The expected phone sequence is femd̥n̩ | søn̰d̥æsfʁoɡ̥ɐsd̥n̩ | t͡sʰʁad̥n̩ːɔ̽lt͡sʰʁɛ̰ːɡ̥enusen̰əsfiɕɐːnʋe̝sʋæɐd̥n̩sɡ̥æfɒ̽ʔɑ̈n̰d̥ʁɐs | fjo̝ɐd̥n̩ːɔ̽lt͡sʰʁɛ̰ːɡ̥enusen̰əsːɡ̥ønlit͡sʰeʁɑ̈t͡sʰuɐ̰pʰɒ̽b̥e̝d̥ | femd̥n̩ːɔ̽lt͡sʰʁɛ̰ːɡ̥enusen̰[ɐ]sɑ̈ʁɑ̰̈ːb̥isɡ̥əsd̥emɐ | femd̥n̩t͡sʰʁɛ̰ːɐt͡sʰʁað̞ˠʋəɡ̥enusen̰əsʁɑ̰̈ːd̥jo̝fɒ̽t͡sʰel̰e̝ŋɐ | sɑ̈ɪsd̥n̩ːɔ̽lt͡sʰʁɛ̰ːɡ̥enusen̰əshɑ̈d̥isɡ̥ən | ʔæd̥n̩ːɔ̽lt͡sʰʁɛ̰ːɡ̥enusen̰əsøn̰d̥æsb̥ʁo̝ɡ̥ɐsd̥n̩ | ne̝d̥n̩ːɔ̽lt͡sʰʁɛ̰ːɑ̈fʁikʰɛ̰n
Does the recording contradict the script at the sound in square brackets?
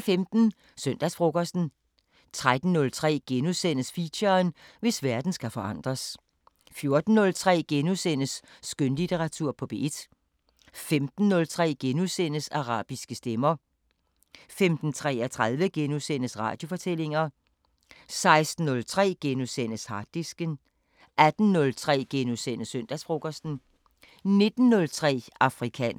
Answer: yes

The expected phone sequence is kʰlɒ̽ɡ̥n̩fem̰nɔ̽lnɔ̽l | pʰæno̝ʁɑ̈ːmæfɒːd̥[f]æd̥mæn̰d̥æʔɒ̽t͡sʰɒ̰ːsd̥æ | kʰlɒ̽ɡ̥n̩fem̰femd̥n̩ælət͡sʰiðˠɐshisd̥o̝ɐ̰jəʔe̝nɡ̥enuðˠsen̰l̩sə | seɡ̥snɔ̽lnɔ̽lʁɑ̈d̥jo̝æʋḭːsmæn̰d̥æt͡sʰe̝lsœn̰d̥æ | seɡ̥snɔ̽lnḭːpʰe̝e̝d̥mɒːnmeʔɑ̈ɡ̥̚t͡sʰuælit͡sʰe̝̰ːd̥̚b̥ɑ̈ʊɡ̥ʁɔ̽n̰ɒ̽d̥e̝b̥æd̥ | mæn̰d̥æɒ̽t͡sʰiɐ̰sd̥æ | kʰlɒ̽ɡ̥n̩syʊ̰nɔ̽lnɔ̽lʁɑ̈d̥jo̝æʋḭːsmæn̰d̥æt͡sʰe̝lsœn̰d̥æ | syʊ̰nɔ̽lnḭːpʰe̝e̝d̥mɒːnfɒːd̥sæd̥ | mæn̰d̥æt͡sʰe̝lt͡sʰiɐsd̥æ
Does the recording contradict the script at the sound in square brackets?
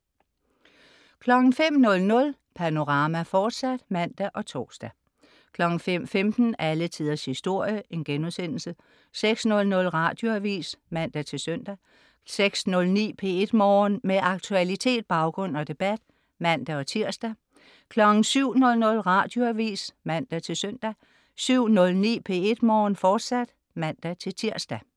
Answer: yes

